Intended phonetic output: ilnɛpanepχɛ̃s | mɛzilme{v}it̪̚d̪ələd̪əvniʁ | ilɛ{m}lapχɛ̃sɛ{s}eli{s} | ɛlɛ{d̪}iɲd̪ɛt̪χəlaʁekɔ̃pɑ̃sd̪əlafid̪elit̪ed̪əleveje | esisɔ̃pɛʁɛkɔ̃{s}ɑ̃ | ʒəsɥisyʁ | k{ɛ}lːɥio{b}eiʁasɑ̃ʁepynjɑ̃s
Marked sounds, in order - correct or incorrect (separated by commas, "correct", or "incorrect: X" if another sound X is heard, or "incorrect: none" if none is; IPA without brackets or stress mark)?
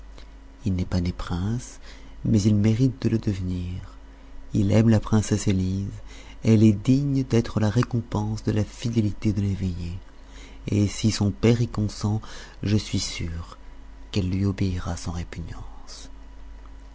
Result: incorrect: ʁ, correct, correct, incorrect: z, correct, correct, correct, correct